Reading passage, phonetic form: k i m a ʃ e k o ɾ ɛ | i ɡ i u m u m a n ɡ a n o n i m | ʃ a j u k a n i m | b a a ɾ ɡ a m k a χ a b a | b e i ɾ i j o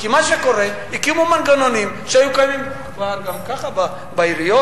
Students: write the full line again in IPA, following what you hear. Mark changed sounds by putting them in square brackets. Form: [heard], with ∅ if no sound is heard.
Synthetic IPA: k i m a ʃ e k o ɾ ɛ | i [k] i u m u m a n ɡ a n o n i m | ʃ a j u k a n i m | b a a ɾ ɡ a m k a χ a b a | b [a] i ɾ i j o